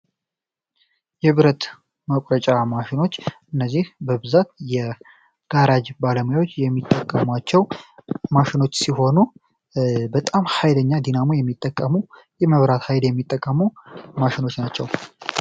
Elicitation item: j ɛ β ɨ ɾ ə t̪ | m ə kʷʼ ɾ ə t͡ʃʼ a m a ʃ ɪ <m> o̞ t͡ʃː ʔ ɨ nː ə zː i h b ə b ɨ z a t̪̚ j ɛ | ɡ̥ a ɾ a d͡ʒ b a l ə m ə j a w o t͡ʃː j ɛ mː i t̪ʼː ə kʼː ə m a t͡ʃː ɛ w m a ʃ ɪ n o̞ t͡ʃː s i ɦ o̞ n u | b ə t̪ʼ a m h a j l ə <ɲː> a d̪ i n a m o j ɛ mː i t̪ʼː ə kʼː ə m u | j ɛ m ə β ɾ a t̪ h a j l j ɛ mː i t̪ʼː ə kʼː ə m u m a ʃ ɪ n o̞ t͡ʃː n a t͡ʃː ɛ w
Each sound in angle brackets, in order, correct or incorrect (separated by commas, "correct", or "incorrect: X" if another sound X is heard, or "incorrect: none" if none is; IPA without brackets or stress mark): incorrect: n, correct